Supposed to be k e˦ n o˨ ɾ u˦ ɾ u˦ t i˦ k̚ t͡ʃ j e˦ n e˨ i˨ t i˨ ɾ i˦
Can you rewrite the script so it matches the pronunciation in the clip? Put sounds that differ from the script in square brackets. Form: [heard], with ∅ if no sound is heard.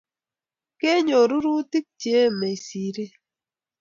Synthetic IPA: k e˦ [ɲ] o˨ ɾ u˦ ɾ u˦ t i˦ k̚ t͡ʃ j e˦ [m] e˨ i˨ [s] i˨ ɾ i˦